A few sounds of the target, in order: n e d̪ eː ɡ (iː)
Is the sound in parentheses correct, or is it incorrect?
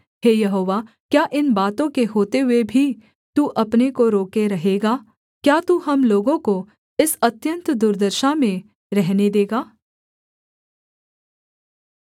incorrect: aː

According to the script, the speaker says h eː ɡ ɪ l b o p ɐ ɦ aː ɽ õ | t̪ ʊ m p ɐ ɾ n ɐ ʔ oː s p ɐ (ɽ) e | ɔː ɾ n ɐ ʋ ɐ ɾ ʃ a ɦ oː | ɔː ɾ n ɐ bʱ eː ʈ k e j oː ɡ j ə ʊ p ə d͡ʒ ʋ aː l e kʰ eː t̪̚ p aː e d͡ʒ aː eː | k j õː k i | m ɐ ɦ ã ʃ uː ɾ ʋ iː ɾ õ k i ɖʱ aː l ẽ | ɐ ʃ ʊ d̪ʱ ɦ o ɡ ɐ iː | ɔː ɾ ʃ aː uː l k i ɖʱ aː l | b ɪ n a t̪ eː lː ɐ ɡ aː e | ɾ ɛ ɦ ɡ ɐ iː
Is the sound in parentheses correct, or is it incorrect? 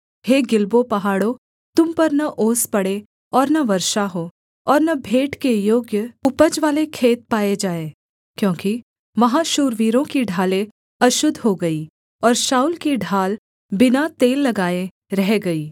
correct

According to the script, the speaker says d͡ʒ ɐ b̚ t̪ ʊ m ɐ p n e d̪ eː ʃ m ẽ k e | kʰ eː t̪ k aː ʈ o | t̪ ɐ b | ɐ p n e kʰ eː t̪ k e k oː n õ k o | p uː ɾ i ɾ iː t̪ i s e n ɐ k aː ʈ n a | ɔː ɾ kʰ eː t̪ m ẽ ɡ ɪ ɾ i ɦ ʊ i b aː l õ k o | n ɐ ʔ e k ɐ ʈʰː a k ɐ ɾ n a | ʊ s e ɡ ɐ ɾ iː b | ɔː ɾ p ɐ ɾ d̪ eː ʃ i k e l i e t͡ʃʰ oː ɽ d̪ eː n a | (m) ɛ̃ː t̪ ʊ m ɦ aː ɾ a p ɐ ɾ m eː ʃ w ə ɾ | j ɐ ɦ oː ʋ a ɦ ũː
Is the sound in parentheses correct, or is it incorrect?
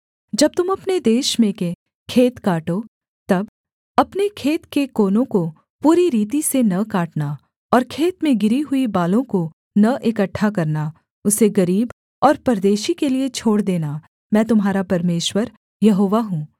correct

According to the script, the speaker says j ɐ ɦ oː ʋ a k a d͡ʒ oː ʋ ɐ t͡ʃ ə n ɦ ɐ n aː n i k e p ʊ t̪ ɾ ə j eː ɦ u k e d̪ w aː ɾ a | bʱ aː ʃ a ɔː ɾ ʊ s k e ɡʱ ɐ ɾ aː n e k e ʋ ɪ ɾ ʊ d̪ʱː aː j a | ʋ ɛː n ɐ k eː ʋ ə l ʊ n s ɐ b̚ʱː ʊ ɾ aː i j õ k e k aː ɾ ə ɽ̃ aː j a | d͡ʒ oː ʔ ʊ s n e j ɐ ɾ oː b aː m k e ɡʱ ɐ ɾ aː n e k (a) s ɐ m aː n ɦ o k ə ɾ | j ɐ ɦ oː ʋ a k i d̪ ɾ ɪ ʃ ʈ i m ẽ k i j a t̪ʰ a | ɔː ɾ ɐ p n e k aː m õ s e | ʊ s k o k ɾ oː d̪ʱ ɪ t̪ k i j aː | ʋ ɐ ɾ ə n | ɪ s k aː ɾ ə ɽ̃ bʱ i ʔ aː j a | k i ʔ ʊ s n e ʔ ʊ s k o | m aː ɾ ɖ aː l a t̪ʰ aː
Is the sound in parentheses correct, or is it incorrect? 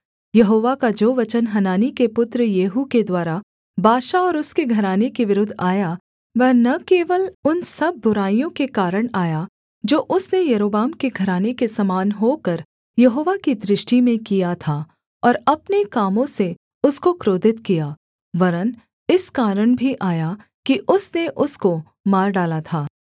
incorrect: e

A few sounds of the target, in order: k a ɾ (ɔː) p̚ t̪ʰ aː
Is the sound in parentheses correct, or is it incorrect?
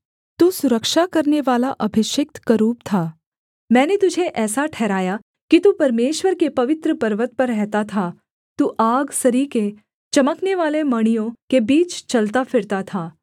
incorrect: uː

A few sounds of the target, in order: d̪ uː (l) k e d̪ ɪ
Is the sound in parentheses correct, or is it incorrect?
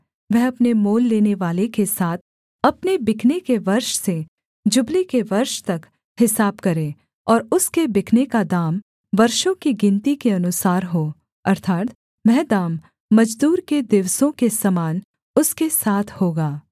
incorrect: ɾ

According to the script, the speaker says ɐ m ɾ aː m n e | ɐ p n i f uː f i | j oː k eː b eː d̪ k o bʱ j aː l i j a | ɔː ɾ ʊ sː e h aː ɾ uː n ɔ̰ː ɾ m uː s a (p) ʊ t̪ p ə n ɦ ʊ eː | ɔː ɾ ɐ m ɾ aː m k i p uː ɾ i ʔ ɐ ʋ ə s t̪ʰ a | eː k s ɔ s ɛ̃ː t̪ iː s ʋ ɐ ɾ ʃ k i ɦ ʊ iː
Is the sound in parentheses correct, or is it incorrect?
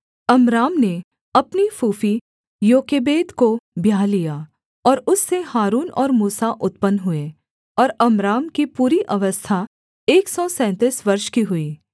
incorrect: ʔ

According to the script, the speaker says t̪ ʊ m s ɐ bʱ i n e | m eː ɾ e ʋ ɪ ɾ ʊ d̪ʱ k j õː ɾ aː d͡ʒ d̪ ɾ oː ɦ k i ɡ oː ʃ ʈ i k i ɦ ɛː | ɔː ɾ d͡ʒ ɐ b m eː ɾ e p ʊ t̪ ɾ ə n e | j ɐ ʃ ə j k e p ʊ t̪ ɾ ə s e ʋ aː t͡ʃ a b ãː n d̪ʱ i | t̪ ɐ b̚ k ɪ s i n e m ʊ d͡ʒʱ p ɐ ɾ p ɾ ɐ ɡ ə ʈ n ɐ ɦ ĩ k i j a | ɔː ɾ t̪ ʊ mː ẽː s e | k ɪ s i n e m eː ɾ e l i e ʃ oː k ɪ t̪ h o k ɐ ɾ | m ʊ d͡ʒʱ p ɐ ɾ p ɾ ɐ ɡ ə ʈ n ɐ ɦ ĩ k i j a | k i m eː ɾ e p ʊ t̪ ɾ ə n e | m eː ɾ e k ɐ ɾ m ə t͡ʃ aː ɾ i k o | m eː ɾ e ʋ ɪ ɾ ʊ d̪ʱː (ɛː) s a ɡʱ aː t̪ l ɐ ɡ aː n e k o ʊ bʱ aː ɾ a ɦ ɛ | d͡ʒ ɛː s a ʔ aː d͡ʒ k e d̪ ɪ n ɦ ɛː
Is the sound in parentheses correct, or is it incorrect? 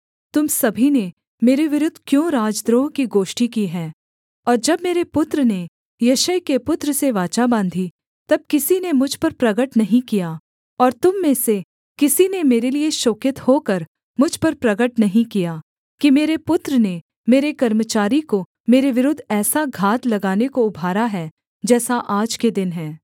correct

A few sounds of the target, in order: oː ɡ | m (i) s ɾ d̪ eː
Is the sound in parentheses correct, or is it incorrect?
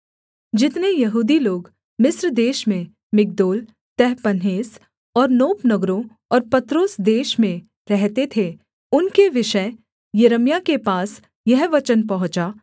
incorrect: ɪ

